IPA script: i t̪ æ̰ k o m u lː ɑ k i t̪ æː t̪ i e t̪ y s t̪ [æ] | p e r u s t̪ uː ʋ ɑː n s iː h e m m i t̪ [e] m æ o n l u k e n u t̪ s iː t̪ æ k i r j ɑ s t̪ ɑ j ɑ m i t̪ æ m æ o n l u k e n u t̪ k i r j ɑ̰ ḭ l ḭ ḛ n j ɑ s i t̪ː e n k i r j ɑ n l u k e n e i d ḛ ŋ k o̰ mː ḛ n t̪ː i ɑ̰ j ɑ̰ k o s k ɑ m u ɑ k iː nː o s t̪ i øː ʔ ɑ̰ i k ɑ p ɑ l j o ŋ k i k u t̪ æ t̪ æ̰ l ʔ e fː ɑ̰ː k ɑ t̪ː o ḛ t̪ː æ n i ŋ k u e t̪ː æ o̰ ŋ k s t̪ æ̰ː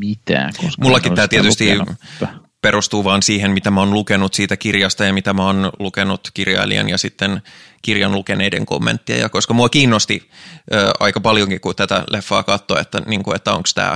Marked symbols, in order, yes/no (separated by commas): no, no